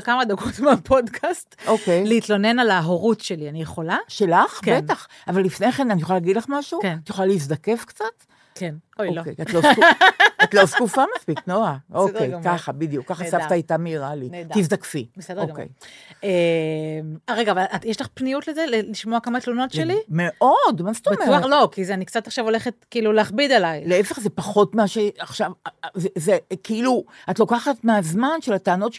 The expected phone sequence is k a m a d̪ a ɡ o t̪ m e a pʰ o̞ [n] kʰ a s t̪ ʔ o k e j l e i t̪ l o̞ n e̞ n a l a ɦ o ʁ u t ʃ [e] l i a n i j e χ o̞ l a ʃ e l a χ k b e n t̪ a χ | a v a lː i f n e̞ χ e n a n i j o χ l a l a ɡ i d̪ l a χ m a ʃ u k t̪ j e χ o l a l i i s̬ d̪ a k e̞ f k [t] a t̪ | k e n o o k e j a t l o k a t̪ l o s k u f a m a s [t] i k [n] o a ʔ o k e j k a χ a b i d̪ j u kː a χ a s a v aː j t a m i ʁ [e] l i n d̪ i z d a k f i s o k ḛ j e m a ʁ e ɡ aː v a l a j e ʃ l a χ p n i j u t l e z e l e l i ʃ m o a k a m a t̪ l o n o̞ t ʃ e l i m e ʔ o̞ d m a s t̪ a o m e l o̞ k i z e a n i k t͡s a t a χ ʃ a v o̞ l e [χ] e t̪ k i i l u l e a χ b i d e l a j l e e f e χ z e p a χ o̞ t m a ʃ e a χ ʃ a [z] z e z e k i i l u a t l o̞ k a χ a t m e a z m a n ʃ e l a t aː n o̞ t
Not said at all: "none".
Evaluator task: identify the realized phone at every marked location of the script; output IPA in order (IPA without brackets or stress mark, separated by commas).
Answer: d, e, t͡s, p, n, a, χ, v